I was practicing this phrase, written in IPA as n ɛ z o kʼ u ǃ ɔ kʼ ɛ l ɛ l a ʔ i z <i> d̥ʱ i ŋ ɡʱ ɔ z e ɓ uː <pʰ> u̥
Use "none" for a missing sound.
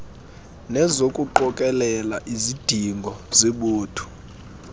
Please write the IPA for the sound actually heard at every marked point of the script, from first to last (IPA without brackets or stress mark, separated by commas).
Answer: i, tʰ